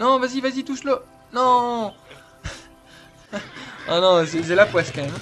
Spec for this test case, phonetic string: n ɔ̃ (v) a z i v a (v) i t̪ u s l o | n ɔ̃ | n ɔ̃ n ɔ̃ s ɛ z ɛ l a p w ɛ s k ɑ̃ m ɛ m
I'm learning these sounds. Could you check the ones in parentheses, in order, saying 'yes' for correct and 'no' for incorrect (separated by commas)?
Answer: yes, no